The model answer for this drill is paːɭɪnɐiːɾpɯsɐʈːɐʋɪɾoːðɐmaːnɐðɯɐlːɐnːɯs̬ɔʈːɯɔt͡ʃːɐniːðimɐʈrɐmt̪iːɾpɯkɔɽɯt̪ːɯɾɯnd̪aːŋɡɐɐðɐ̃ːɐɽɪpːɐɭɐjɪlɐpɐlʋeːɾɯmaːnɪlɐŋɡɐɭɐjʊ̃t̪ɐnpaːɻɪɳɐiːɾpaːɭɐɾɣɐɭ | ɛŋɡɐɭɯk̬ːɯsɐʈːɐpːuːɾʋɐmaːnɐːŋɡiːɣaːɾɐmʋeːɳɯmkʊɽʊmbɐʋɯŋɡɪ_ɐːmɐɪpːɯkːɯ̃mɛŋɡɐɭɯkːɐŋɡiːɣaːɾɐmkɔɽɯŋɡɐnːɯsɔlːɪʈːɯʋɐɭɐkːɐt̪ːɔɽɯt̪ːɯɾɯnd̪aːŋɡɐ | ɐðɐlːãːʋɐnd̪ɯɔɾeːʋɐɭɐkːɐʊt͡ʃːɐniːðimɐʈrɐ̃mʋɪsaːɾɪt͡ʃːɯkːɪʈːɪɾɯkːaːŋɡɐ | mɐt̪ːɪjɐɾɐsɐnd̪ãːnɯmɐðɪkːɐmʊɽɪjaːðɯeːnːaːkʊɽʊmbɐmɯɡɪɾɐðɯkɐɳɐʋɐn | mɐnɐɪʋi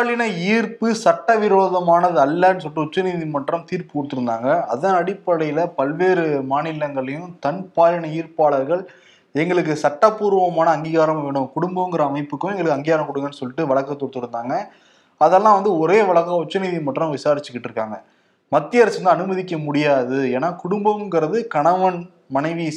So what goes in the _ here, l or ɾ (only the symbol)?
ɾ